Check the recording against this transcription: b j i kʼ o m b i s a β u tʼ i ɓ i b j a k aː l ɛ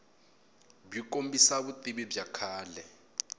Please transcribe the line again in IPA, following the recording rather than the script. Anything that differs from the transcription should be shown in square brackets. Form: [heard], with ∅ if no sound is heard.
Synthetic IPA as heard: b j i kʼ o m b i s a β u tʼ i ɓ i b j a [kʰ] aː l ɛ